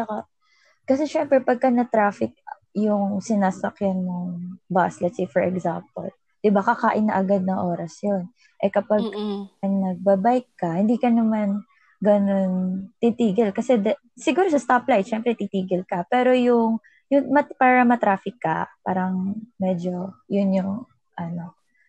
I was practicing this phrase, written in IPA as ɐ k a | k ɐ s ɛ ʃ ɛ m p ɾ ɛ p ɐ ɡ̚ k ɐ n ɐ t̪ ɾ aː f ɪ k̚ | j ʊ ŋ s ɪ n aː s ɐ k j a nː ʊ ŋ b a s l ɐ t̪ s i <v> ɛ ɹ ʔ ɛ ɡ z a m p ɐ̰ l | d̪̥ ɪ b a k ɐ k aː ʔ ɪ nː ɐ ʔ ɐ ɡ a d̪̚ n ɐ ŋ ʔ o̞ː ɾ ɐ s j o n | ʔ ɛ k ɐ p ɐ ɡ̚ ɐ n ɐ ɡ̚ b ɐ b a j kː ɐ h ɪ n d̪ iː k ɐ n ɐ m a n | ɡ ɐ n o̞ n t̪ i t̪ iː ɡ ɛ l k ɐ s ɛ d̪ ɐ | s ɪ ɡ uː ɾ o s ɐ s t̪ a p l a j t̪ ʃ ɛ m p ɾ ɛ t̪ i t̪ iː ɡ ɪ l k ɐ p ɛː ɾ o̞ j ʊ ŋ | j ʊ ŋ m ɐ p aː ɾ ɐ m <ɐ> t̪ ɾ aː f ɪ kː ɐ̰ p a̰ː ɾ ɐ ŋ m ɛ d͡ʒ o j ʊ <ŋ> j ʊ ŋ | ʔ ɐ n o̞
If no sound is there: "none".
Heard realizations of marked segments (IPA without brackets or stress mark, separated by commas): f, ɐ, n